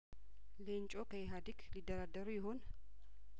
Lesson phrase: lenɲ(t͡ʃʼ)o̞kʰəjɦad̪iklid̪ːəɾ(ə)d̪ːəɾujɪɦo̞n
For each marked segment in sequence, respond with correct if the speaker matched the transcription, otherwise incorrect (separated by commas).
correct, incorrect